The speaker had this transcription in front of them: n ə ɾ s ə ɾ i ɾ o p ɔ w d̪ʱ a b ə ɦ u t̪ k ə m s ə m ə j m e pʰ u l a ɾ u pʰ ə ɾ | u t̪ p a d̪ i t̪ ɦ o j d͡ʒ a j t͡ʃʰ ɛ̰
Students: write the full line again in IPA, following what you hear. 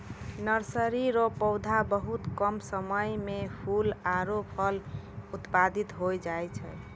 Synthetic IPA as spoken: n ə ɾ s ə ɾ i ɾ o p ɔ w d̪ʱ a b ə ɦ u t̪ k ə m s ə m ə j m e pʰ u l a ɾ o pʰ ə l | u t̪ p a d̪ i t̪ ɦ o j d͡ʒ a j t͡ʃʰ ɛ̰